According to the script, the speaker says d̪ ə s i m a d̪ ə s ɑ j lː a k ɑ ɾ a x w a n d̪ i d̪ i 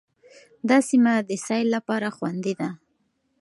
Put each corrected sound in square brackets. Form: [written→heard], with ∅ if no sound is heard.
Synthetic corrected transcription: d̪ [ə→ɑ] s i m a d̪ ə s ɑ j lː a [k→p] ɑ ɾ a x w a n d̪ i d̪ [i→a]